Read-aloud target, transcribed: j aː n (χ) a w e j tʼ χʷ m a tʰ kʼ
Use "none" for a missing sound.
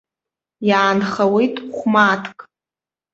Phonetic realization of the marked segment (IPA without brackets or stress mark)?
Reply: χ